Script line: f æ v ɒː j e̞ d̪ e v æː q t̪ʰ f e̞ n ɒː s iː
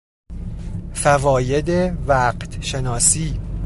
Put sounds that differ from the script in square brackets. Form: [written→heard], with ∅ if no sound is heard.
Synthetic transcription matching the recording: f æ v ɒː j e̞ d̪ e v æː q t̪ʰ [f→ʃ] e̞ n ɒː s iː